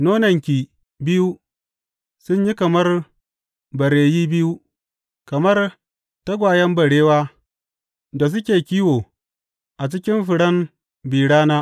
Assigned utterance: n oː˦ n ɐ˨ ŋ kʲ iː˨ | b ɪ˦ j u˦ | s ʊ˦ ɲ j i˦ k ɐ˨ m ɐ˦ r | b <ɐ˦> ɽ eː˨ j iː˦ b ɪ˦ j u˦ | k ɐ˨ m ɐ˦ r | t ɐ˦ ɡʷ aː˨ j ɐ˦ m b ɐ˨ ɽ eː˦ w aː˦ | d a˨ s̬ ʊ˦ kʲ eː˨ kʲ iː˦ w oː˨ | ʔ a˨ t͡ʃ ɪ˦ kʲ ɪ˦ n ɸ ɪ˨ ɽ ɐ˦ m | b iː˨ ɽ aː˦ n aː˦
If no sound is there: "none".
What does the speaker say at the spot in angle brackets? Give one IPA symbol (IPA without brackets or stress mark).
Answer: ɐ˨